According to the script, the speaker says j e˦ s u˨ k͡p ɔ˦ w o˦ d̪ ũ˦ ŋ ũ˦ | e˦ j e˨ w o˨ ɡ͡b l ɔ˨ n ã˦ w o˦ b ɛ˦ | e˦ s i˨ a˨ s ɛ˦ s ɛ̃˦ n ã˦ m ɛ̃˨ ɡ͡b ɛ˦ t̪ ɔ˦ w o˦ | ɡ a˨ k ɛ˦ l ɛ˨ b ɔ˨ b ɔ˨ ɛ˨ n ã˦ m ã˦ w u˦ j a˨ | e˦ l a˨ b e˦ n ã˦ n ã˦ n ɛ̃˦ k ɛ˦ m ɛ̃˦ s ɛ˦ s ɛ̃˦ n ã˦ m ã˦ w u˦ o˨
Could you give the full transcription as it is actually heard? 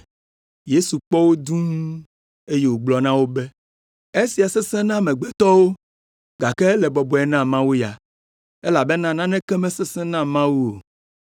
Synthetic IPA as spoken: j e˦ s u˨ k͡p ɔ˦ w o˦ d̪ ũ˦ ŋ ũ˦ | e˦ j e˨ w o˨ ɡ͡b l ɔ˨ n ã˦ w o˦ b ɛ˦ | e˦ s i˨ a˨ s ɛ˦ s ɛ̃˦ n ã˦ m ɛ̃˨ ɡ͡b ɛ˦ t̪ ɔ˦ w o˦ | ɡ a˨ k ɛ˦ l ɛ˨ b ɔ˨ b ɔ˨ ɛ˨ n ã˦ m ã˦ w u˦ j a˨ | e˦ l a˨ b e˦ n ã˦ n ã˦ n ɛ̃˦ k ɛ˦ m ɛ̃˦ s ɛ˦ s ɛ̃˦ n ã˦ m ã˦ w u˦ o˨